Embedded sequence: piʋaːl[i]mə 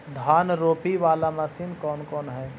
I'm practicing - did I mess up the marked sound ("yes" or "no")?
yes